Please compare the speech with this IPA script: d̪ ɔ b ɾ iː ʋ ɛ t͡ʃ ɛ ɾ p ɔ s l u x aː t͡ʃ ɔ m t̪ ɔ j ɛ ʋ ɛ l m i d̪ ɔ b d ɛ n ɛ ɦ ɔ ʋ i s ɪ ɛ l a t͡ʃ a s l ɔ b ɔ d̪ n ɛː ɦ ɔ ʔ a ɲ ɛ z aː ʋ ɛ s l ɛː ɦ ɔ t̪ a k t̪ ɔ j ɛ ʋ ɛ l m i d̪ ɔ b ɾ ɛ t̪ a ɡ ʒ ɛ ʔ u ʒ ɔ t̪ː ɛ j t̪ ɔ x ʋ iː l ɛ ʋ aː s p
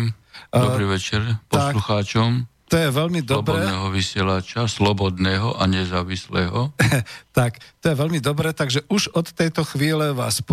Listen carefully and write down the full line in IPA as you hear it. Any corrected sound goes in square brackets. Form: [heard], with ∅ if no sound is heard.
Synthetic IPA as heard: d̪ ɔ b ɾ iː ʋ ɛ t͡ʃ ɛ ɾ p ɔ s l u x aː t͡ʃ ɔ m t̪ ɔ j ɛ ʋ ɛ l m i d̪ ɔ b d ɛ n ɛ ɦ ɔ ʋ i s ɪ ɛ l a t͡ʃ a s l ɔ b ɔ d̪ n ɛː ɦ ɔ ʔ a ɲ ɛ z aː ʋ [i] s l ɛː ɦ ɔ t̪ a k t̪ ɔ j ɛ ʋ ɛ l m i d̪ ɔ b ɾ ɛ t̪ a ɡ ʒ ɛ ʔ u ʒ ɔ t̪ː ɛ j t̪ ɔ x ʋ iː l ɛ ʋ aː s p